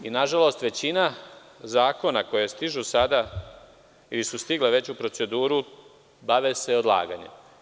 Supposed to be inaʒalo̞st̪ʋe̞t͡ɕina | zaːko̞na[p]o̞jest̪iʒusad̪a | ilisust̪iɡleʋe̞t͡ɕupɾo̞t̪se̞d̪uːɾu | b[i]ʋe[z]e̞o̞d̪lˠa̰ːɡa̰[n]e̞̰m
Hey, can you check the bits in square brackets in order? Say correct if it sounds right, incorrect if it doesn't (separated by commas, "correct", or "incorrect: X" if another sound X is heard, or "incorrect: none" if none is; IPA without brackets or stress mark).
incorrect: k, incorrect: a, incorrect: s, incorrect: ɲ